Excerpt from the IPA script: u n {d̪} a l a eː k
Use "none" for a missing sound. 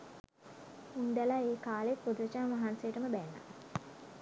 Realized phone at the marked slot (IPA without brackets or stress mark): d̪